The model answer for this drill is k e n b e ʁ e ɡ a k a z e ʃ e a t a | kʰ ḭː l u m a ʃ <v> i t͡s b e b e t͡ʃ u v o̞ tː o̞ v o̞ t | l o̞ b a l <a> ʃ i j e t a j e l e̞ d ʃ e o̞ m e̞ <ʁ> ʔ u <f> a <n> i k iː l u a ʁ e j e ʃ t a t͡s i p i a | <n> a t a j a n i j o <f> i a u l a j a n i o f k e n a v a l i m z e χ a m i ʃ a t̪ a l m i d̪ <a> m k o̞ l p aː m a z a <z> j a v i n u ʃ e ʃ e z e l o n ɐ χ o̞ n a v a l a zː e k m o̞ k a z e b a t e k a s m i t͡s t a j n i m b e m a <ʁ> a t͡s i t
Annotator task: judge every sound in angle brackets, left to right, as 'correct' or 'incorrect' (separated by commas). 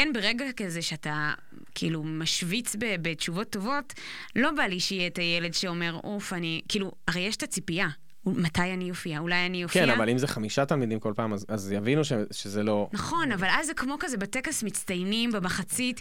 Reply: correct, incorrect, correct, correct, correct, incorrect, correct, incorrect, correct, incorrect